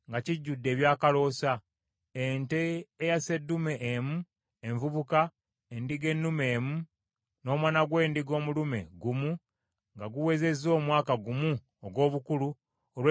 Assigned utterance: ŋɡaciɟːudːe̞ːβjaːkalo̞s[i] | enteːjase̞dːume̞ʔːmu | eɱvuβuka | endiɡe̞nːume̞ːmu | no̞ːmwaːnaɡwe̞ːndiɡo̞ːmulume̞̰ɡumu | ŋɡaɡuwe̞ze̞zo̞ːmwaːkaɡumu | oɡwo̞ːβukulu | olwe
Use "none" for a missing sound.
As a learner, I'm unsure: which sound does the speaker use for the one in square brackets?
a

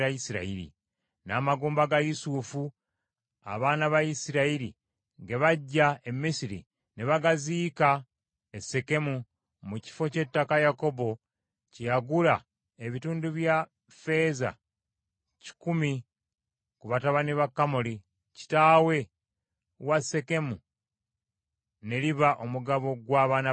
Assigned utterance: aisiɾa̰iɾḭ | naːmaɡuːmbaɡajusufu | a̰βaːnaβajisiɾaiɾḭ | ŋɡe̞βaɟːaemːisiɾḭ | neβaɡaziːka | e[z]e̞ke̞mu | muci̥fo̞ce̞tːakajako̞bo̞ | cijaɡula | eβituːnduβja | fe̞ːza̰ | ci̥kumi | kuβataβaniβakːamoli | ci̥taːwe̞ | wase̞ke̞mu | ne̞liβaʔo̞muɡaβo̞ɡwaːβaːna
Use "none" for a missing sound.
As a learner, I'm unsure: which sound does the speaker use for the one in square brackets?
s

